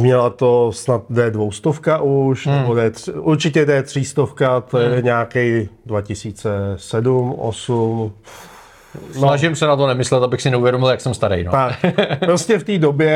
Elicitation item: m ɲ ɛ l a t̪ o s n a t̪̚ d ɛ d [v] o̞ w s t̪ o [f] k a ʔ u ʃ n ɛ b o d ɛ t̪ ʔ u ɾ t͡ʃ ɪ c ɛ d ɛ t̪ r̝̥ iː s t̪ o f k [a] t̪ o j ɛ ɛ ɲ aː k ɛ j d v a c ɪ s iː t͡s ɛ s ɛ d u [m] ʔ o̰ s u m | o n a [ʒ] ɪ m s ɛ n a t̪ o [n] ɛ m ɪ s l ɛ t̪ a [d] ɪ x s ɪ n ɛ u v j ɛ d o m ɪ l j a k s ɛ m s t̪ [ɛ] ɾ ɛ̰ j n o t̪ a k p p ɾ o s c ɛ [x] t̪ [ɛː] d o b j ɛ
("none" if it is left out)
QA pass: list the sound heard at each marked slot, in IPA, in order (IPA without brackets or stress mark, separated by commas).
v, f, a, m, ʒ, n, b, a, f, iː